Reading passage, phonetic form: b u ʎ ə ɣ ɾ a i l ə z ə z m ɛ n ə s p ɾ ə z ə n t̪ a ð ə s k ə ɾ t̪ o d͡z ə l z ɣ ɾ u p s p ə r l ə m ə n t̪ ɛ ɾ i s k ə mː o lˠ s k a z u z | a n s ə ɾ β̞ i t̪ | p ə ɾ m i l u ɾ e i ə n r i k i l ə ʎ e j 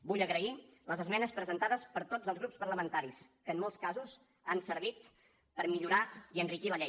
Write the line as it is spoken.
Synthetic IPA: b u ʎ ə ɣ ɾ ə i l ə z ə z m ɛ n ə s p ɾ ə z ə n t̪ a ð ə s p ə ɾ t̪ o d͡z ə l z ɣ ɾ u p s p ə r l ə m ə n t̪ a ɾ i s k ə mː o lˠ s k a z u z | a n s ə ɾ β̞ i t̪ | p ə ɾ m i ʎ u ɾ a i ə n r i k i l ə ʎ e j

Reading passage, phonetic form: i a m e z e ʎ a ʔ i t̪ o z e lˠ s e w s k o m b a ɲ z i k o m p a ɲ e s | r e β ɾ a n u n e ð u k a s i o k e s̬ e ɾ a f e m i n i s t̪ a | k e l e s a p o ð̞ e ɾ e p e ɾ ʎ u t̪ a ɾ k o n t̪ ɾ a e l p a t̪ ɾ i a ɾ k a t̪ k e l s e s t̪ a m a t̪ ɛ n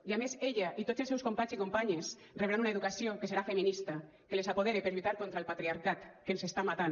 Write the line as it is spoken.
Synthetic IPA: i a m e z e ʎ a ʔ i t̪ o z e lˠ s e w s k o m p a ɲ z i k o m p a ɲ e s | r e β ɾ a n u n e ð u k a s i o k e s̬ e ɾ a f e m i n i s t̪ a | k e l e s a p o ð̞ e ɾ e p e ɾ ʎ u t̪ a ɾ k o n t̪ ɾ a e l p a t̪ ɾ i a ɾ k a t̪ k e l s e s t̪ a m a t̪ a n

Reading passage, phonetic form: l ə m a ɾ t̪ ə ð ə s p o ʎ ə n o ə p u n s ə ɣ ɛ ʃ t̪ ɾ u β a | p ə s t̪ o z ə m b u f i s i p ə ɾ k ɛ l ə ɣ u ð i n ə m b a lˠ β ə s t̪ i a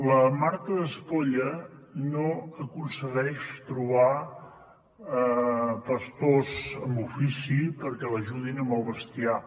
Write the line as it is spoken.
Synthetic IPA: l ə m a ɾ t̪ ə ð ə s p o ʎ ə n o ə k u n s ə ɣ ɛ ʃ t̪ ɾ u β a | p ə s t̪ o z ə m b u f i s i p ə ɾ k ɛ l ə ʒ u ð i n ə m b ə lˠ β ə s t̪ i a

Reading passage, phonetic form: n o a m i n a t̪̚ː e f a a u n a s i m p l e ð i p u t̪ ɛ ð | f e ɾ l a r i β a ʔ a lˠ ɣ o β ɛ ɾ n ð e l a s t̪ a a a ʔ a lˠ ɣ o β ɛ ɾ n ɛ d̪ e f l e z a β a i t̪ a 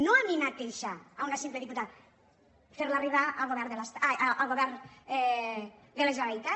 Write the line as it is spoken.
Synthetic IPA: n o a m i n a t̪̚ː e ʃ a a u n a s i m p l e ð i p u t̪ a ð | f e ɾ l a r i β a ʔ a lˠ ɣ o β ɛ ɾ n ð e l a s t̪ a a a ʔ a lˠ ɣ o β ɛ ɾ n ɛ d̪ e l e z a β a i t̪ a

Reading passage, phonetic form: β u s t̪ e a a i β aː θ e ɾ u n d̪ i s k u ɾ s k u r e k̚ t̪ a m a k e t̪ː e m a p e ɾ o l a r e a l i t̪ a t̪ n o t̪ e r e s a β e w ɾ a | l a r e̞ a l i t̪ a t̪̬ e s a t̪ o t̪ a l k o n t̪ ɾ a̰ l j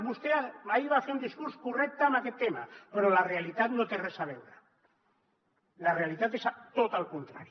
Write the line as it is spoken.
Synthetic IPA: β u s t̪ e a a i β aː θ e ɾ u n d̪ i s k u ɾ s k u r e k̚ t̪ a m a k e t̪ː e m a p e ɾ o l a r e a l i t̪ a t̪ n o t̪ e r e s a β e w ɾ a | l a r e̞ a l i t̪ a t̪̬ e s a t̪ o t̪ a l k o n t̪ ɾ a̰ ɾ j

